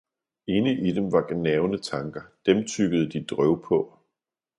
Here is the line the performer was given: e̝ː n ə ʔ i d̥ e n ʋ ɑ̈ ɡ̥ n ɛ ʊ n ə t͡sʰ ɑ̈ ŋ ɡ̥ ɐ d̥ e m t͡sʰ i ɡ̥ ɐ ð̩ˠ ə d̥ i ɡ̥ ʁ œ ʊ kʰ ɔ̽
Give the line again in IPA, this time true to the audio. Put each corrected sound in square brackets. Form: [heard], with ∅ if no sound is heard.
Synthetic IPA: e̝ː n ə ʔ i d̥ e [m] ʋ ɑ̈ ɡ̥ n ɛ ʊ n ə t͡sʰ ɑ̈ ŋ ɡ̥ ɐ d̥ e m t͡sʰ [y] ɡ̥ [ə] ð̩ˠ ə d̥ i [d̥] ʁ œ ʊ [pʰ] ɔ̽

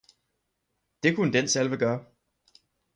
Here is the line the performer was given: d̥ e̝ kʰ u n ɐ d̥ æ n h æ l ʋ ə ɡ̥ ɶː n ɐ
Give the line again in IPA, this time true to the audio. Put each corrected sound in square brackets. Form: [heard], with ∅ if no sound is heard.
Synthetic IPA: d̥ e̝ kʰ u n [ə] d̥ [e] n [s] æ l ʋ ə ɡ̥ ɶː [∅] ɐ

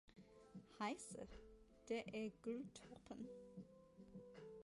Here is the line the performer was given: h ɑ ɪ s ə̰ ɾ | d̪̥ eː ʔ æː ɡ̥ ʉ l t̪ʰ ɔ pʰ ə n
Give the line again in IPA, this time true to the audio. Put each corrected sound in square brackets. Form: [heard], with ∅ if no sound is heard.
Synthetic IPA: h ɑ ɪ s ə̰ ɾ | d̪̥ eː ʔ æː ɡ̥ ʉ l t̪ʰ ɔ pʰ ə n

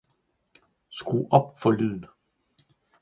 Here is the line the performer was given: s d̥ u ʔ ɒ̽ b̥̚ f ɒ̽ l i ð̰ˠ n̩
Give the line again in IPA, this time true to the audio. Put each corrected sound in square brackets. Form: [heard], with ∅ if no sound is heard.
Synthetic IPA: s [ɡ̥] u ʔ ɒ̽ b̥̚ f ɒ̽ l [y] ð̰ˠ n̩

